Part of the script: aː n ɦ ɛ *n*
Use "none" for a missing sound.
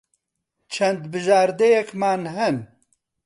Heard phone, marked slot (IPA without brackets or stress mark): n